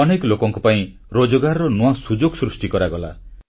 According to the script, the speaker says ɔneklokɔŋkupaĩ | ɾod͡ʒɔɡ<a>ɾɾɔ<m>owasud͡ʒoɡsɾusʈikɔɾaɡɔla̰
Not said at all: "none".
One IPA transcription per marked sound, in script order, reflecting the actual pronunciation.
a, n

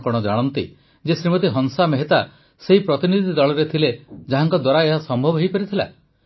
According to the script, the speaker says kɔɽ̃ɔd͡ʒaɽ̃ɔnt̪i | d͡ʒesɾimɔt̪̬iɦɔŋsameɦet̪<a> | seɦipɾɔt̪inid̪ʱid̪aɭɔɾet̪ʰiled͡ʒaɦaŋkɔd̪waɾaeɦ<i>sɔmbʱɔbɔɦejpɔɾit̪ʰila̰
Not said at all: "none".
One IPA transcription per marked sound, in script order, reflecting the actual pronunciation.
a, a

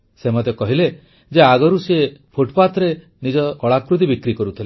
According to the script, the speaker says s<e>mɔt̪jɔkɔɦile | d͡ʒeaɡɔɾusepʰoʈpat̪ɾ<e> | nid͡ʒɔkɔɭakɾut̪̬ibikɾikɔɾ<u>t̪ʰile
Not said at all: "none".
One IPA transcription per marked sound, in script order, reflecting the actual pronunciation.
e, e, u

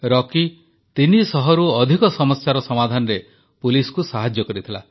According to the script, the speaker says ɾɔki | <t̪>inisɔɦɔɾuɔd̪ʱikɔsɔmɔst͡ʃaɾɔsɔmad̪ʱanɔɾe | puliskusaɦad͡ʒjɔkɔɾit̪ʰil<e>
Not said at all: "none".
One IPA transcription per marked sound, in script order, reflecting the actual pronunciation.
t̪, a

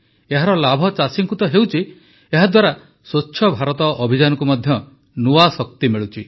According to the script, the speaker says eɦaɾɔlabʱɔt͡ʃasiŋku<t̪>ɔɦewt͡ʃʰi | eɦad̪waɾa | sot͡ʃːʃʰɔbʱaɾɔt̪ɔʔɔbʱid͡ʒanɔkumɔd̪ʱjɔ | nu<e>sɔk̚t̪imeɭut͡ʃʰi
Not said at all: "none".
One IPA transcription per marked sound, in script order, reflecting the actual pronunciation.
t̪, a

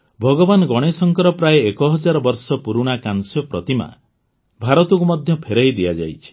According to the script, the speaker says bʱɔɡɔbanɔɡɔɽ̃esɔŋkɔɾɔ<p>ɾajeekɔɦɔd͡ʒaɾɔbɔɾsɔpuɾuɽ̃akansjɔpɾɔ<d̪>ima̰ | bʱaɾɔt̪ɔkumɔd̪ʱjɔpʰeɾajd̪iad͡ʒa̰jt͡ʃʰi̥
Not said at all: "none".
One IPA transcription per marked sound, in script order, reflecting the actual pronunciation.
p, t̪

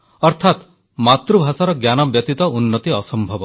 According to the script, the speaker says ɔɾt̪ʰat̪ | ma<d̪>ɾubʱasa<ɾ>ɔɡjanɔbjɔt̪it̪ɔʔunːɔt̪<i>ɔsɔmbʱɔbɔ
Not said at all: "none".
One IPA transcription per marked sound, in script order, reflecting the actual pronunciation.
t̪, ɾ, i

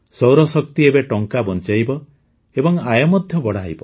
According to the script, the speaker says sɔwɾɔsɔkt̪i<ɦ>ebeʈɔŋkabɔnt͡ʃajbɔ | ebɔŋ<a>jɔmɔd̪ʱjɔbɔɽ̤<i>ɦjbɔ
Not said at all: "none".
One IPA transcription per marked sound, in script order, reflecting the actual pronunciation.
none, a, a

